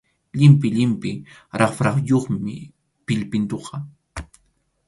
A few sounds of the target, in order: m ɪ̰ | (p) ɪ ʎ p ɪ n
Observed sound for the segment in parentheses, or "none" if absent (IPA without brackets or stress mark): p